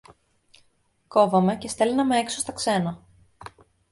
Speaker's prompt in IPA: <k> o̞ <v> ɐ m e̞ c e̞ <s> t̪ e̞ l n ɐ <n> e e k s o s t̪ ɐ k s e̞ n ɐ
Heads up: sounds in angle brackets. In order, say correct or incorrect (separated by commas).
correct, correct, correct, incorrect